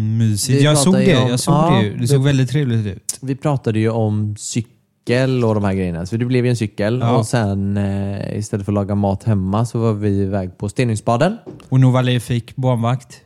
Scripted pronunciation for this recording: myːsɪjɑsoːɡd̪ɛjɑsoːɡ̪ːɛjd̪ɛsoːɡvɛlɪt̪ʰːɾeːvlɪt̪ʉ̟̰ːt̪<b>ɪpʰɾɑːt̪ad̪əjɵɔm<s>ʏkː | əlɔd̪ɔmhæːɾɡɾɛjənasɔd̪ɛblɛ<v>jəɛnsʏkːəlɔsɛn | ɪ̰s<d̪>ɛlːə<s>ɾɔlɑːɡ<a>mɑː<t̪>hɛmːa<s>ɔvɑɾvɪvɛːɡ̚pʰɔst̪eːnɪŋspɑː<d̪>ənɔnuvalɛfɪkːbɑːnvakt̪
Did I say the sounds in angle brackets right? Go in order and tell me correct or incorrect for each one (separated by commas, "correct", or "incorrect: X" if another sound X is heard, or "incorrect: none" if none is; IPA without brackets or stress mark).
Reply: incorrect: v, correct, correct, incorrect: t̪, incorrect: f, correct, correct, correct, correct